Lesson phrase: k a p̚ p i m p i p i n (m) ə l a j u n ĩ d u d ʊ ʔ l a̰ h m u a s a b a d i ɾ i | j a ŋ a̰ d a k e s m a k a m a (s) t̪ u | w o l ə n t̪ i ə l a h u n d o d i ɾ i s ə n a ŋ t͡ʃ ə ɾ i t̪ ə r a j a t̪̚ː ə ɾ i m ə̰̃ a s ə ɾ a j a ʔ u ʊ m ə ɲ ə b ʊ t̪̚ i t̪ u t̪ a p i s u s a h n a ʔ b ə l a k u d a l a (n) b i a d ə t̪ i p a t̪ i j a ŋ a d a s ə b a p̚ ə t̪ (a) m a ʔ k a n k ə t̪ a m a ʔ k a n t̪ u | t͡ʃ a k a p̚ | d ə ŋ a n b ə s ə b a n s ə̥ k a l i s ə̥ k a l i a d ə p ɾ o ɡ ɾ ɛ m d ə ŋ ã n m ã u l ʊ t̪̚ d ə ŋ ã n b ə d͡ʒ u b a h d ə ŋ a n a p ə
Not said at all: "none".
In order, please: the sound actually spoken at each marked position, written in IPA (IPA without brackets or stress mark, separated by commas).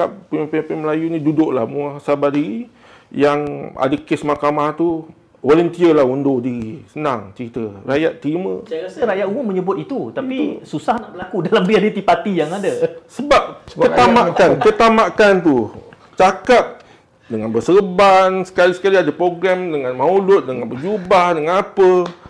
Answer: m, h, m, a